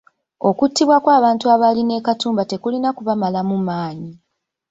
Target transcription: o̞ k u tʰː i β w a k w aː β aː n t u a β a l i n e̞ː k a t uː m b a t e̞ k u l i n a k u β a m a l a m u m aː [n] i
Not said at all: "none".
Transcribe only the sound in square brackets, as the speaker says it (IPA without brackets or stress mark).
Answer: ɲ